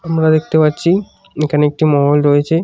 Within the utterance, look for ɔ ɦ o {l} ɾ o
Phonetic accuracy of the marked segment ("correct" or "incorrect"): correct